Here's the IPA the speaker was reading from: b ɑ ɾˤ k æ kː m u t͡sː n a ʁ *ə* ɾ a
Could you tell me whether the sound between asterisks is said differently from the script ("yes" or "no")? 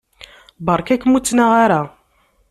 yes